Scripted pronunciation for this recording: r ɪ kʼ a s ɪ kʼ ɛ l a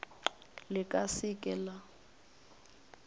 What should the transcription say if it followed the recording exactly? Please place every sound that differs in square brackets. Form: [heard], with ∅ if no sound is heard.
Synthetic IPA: [l] ɪ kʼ a s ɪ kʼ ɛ l a